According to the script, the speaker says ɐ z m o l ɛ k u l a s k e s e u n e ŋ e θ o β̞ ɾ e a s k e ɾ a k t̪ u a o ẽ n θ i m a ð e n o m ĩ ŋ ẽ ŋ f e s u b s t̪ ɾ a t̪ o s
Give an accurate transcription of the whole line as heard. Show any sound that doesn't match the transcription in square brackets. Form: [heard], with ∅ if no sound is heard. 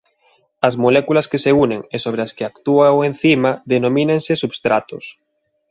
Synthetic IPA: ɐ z m o l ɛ k u l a s k e s e u n e ŋ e [s] o β̞ ɾ e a s k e [∅] a k t̪ u a o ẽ n θ i m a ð e n o m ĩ [n] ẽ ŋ [s] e s u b s t̪ ɾ a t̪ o s